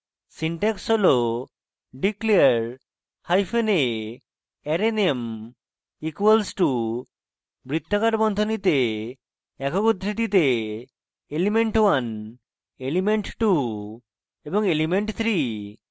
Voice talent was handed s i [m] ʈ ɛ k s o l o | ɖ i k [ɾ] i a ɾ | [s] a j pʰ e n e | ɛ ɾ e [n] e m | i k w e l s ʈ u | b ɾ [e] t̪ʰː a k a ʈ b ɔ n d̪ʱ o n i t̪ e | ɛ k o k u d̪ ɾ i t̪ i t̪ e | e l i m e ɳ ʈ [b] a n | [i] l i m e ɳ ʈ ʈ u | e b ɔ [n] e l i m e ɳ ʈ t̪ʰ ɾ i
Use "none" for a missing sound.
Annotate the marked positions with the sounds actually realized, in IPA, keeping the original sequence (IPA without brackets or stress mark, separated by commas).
ɳ, l, h, n, i, w, e, ŋ